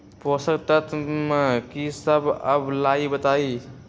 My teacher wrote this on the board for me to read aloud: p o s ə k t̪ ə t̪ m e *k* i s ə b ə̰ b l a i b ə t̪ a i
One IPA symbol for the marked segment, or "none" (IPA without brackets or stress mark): k